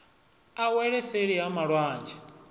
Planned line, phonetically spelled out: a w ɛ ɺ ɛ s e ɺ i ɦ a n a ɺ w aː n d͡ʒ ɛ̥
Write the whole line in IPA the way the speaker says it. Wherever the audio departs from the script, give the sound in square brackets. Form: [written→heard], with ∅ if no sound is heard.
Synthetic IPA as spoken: a w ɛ ɺ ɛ s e ɺ i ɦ a [n→m] a ɺ w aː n d͡ʒ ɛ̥